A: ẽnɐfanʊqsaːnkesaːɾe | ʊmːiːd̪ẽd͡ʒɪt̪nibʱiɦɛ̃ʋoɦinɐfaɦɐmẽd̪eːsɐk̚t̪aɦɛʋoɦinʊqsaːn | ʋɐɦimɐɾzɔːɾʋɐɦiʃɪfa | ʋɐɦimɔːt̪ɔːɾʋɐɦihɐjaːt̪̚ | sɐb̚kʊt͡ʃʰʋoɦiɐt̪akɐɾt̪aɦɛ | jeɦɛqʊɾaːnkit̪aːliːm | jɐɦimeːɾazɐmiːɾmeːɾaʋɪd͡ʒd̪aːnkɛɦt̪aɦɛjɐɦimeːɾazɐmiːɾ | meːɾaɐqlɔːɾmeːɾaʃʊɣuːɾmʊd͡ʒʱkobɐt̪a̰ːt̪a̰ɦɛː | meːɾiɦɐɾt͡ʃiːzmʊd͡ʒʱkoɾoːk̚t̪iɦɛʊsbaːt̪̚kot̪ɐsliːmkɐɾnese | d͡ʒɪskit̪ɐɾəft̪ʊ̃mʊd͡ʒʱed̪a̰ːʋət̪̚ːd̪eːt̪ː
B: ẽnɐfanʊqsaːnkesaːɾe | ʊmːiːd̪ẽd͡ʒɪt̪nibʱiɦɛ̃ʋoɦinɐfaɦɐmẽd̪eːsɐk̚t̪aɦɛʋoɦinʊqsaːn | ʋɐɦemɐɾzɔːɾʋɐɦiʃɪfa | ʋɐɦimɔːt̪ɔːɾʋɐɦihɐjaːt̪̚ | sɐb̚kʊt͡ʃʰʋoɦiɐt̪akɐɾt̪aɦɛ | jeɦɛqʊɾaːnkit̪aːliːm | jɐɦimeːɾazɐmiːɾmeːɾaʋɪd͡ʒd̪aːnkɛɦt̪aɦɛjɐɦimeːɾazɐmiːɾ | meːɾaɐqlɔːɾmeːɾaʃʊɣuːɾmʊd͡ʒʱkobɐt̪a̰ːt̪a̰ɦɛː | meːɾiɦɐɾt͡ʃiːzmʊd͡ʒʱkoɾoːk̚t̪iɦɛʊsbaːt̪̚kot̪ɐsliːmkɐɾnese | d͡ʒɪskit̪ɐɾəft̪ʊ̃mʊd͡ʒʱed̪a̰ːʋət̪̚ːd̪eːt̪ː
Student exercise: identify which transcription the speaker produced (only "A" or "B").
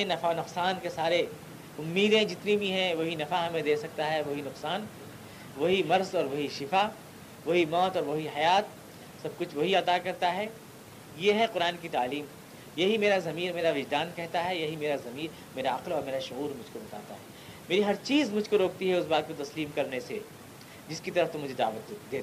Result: A